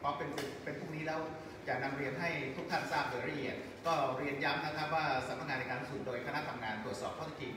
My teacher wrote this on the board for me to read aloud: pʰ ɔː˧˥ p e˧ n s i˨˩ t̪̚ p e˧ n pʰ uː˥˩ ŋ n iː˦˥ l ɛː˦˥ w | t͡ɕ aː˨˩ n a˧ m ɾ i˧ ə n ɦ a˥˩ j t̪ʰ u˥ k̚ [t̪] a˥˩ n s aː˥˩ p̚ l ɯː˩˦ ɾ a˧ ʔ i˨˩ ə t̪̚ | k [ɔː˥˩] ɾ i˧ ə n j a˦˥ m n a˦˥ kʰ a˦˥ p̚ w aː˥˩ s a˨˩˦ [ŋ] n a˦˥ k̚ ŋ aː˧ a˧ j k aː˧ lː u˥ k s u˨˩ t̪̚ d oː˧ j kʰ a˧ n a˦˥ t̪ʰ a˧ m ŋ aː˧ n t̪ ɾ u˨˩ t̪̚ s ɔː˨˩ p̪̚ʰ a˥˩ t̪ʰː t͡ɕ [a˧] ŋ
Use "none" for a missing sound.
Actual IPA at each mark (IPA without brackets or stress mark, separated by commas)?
t̪ʰ, ɔː˥˩, m, i˧